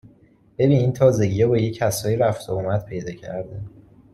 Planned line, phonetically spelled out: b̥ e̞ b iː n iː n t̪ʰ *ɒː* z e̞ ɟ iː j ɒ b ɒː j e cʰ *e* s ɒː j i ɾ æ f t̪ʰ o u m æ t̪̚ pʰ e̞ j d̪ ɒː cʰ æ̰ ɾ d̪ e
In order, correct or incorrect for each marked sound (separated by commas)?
correct, incorrect